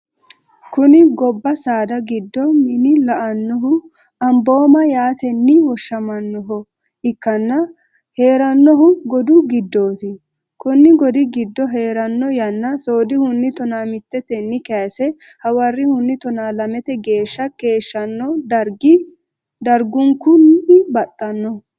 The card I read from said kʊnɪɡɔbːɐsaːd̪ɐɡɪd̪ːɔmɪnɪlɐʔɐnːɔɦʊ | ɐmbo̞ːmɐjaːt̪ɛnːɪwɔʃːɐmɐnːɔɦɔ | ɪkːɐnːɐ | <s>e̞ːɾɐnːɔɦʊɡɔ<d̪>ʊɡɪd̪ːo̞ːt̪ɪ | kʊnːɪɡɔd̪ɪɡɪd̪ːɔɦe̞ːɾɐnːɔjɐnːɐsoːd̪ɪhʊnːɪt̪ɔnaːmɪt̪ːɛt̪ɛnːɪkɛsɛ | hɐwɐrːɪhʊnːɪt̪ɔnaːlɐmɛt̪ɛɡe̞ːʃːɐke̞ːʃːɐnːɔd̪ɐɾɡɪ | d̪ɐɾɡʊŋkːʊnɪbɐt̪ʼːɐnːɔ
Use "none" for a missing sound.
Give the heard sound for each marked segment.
h, d̪

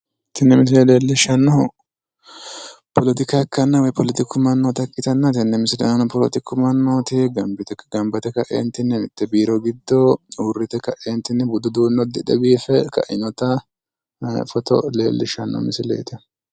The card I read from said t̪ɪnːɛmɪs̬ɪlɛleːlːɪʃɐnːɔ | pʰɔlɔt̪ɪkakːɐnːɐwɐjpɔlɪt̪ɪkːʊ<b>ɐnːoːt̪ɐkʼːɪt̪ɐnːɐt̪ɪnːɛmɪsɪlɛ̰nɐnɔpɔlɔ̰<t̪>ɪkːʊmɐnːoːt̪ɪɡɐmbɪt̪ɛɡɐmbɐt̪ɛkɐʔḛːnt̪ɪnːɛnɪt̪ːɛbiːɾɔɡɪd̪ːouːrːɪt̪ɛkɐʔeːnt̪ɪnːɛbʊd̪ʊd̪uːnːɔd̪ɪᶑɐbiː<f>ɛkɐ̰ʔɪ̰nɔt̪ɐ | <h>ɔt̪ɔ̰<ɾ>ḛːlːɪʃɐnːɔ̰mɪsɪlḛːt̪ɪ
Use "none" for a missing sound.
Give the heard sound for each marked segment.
m, t̪, f, f, l

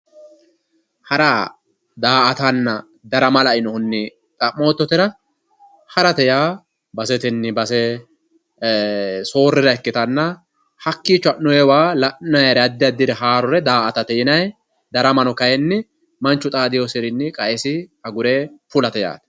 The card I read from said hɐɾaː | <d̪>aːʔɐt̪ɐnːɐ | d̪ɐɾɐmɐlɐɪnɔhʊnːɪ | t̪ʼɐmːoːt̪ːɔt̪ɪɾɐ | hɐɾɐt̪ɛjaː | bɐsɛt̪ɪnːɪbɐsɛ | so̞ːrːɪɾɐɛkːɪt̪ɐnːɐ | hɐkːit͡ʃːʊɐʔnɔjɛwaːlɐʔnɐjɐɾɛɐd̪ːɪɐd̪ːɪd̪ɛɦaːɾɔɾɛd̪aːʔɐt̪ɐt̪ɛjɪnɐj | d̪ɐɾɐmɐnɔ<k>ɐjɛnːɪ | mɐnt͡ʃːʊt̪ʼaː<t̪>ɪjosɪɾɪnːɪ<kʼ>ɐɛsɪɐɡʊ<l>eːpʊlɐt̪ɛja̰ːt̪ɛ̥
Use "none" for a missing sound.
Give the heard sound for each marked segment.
d̪, k, d̪, kʼ, ɾ

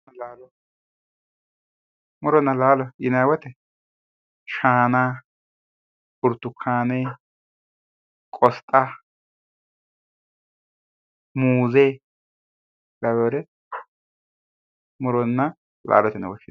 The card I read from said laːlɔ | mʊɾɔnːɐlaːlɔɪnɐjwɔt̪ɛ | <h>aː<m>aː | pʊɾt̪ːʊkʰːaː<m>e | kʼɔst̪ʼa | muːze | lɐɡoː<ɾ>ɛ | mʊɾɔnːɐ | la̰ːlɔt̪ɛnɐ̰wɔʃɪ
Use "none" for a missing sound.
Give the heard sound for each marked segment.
ʃ, n, n, ɾ

